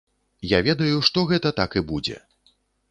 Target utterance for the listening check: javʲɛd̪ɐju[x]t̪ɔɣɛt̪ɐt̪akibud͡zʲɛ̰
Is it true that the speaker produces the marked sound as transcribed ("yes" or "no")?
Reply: no